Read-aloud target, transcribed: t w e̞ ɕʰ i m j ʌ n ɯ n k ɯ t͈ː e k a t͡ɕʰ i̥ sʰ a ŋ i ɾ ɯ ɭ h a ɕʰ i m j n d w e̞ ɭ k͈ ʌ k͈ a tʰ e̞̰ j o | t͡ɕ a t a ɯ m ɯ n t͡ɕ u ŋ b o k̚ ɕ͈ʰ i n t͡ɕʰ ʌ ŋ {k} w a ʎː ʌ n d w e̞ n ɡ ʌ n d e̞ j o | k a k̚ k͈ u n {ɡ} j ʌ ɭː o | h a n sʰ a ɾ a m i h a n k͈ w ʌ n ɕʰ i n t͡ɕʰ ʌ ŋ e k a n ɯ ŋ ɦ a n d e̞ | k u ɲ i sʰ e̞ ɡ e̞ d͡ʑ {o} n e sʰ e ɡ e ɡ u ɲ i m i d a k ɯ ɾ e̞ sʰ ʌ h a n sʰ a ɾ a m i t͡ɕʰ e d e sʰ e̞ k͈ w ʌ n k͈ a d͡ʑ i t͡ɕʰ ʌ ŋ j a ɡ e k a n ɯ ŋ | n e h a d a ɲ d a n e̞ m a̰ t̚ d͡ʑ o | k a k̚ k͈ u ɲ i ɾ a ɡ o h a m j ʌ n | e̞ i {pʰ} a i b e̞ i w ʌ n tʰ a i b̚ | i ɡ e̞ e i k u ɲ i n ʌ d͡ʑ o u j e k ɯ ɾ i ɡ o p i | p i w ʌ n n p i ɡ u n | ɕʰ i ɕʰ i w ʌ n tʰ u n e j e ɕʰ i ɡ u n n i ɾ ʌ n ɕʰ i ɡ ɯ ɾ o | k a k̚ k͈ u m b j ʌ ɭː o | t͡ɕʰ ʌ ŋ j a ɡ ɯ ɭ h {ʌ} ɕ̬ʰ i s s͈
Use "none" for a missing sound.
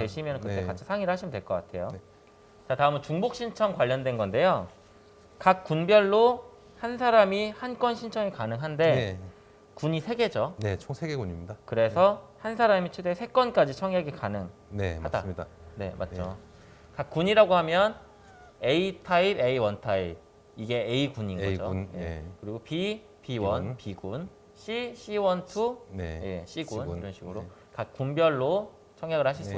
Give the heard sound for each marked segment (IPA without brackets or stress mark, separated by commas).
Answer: k, b, o, tʰ, a